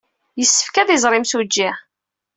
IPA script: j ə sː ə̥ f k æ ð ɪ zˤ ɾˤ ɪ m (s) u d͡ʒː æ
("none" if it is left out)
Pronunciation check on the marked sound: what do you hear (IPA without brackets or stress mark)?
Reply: s